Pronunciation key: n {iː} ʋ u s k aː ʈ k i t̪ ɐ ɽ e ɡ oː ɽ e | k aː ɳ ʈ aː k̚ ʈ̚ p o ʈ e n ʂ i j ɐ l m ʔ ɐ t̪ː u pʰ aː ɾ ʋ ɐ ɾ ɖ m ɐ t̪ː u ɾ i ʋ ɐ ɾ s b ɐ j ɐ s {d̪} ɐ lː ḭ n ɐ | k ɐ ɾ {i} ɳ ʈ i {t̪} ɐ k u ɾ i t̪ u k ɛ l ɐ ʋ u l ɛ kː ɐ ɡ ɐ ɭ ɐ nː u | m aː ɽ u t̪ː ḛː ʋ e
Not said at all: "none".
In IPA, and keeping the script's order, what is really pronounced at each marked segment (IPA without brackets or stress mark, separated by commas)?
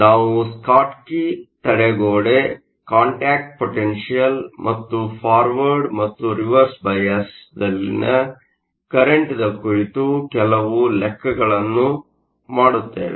aː, d̪, e, d̪